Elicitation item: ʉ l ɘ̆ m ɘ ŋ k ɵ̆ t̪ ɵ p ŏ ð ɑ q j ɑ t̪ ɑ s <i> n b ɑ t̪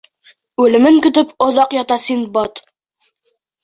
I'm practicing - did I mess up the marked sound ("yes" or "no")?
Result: no